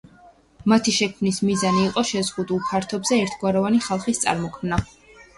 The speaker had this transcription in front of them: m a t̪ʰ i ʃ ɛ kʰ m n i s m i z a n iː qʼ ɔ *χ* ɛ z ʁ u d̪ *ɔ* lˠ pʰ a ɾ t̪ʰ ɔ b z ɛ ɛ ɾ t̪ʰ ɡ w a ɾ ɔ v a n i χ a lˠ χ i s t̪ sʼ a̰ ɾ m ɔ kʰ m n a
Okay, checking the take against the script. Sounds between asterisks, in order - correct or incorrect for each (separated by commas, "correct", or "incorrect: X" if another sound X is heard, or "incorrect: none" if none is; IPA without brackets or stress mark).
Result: incorrect: ʃ, incorrect: u